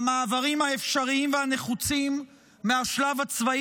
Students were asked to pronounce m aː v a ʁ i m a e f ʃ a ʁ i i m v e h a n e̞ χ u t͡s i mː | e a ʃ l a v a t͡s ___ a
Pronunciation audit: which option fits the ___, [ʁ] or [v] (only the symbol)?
v